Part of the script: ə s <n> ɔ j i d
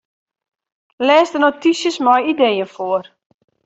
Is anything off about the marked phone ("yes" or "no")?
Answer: yes